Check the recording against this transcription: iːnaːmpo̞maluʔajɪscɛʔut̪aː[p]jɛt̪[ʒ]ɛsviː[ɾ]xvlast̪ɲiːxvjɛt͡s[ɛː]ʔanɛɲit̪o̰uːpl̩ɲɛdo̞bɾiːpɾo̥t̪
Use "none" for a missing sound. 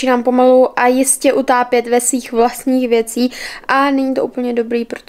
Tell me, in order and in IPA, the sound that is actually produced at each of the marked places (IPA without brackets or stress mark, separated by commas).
p, v, none, iː